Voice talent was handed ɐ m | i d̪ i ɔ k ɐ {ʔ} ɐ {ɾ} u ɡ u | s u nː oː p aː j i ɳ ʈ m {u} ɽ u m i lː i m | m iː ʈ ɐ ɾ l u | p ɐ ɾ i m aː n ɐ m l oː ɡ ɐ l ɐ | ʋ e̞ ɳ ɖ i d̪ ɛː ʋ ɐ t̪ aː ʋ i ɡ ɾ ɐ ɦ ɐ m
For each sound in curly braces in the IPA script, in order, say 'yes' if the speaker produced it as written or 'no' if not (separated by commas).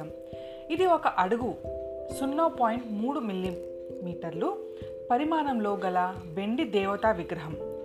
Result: yes, no, no